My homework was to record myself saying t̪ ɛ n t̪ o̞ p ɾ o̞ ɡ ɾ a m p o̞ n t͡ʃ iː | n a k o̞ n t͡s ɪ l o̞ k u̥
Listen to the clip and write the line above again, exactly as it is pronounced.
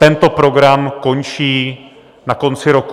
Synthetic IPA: t̪ ɛ n t̪ o̞ p ɾ o̞ ɡ ɾ a m k o̞ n t͡ʃ iː | n a k o̞ n t͡s ɪ ɾ o̞ k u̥